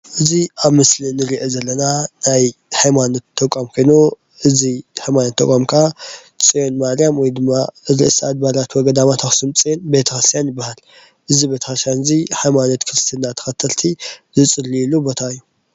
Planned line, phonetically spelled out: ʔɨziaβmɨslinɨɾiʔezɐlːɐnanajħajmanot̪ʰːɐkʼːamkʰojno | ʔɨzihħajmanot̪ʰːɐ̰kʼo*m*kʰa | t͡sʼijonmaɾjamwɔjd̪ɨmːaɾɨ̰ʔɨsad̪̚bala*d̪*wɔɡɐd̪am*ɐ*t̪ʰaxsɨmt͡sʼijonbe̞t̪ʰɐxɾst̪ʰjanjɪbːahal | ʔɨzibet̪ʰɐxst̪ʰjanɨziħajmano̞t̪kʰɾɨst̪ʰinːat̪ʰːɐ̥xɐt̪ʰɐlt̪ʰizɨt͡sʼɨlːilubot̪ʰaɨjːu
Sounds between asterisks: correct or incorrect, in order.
correct, incorrect: t̪, incorrect: a

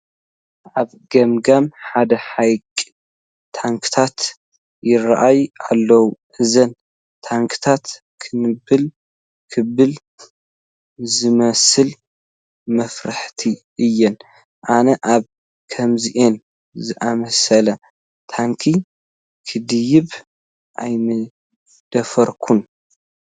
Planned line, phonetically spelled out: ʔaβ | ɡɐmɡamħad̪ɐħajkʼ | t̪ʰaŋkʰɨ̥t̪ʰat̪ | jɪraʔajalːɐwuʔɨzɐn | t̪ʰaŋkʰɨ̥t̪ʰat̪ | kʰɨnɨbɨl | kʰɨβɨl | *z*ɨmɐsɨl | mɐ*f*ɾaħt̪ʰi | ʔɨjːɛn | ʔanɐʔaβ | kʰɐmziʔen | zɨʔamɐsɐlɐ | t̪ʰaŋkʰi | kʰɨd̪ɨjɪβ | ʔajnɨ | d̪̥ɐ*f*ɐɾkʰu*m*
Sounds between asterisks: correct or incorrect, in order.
correct, correct, correct, incorrect: n

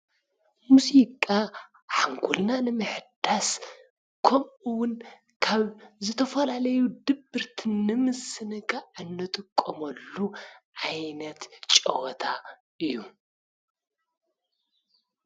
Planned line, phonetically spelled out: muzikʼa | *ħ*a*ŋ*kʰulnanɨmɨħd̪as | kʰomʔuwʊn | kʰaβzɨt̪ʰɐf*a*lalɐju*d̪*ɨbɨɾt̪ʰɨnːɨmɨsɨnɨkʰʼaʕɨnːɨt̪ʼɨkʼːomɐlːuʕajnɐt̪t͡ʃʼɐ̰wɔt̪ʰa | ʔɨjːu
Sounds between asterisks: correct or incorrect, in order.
correct, correct, incorrect: ɐ, correct

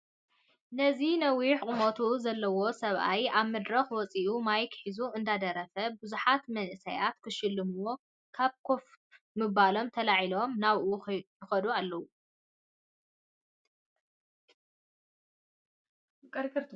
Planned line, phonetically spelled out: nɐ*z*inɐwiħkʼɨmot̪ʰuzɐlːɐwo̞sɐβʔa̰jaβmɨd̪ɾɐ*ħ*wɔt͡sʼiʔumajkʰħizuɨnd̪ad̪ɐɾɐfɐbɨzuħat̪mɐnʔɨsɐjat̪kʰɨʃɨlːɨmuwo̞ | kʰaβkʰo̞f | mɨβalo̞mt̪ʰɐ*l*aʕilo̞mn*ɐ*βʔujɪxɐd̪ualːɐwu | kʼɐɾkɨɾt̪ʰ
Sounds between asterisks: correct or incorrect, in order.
correct, incorrect: x, correct, incorrect: a

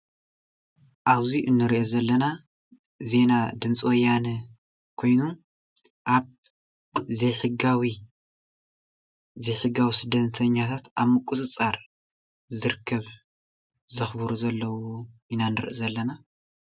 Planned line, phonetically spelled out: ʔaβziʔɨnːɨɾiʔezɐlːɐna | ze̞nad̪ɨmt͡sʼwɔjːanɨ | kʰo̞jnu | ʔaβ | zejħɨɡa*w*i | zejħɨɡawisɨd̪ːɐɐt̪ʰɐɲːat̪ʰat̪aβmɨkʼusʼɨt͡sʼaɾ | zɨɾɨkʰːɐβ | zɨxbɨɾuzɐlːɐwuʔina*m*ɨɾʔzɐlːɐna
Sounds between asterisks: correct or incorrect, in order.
correct, incorrect: n

